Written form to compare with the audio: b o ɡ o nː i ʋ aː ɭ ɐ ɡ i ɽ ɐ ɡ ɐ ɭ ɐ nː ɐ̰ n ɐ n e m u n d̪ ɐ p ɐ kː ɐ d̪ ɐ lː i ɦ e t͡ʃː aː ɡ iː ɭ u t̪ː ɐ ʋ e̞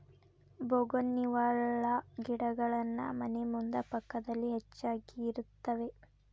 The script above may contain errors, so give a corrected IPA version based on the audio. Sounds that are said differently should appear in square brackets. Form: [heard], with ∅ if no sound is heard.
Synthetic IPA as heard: b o ɡ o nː i ʋ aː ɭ ɐ ɡ i ɽ ɐ ɡ ɐ ɭ ɐ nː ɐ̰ [m] ɐ n e m u n d̪ ɐ p ɐ kː ɐ d̪ ɐ lː i ɦ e t͡ʃː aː ɡ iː [ɾ] u t̪ː ɐ ʋ e̞